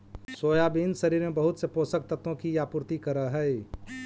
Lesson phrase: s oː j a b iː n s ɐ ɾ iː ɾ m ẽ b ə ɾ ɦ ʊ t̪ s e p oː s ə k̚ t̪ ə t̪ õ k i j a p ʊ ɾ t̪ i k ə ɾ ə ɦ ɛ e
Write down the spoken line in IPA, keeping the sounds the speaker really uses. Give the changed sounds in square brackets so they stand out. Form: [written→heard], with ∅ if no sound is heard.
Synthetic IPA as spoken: s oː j a b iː n s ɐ ɾ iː ɾ m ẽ b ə [ɾ→∅] ɦ ʊ t̪ s e p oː s ə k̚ t̪ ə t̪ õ k i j a p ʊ ɾ t̪ i k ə ɾ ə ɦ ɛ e